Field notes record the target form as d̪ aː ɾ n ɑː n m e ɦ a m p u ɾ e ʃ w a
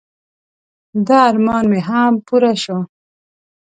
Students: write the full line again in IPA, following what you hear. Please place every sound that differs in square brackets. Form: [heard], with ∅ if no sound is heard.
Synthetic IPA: d̪ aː ɾ [m] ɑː n m e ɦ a m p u ɾ [a] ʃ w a